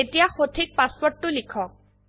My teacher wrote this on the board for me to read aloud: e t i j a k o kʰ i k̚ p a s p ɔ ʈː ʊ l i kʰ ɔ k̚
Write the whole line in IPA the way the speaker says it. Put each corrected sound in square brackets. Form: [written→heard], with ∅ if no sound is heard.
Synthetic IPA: e t i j a [k→x] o [kʰ→tʰ] i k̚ p a s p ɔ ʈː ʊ l i kʰ ɔ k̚